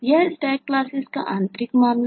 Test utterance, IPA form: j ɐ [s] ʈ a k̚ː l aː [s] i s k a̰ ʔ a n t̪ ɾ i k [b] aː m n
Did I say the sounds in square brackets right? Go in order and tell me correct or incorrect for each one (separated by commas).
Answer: correct, correct, incorrect